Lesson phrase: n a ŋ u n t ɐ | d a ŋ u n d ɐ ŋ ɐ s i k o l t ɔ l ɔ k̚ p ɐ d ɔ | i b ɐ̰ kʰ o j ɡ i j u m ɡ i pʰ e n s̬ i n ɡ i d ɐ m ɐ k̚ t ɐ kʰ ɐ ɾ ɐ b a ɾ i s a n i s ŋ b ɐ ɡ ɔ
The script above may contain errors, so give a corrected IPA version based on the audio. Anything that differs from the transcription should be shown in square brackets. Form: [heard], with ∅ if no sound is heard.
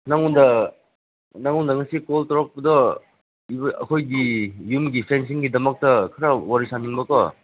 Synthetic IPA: n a ŋ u n [d] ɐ | [n] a ŋ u n d ɐ ŋ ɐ s i k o l t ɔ [ɾ] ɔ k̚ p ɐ d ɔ | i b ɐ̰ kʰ o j ɡ i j u m ɡ i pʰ e n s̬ i [ŋ] ɡ i d ɐ m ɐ k̚ t ɐ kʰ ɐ ɾ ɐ [w] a ɾ i s a n i [∅] ŋ b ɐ [k] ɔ